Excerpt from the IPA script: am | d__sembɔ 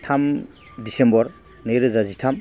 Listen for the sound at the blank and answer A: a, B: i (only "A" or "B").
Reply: B